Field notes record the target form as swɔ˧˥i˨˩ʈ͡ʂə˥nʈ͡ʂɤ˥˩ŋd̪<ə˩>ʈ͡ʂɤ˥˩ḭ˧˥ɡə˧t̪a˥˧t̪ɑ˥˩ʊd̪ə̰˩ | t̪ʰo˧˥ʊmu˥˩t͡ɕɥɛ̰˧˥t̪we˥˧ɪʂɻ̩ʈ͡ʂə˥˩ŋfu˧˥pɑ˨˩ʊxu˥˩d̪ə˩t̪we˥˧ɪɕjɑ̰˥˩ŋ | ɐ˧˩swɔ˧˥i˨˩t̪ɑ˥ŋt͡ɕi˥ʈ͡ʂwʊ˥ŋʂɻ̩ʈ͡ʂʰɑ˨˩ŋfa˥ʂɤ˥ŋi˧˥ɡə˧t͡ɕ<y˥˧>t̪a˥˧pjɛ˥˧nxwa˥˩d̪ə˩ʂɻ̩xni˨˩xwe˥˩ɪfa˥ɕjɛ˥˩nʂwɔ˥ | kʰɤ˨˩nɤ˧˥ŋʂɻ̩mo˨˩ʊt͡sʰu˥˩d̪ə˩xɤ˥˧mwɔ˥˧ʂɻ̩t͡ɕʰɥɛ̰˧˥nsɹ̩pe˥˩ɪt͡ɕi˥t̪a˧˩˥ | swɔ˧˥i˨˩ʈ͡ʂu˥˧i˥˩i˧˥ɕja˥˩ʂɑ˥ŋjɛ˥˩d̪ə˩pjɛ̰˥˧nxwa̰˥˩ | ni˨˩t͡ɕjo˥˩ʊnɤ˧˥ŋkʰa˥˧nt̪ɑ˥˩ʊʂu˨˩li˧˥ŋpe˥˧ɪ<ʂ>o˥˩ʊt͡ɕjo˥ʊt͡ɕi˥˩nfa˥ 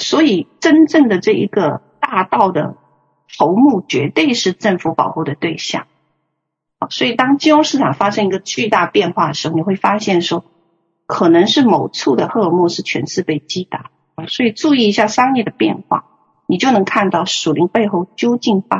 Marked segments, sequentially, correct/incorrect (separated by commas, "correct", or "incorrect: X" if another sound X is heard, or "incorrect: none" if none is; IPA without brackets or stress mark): correct, correct, incorrect: x